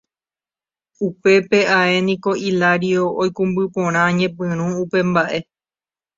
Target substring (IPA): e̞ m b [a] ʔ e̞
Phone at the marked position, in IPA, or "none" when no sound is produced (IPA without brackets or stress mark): a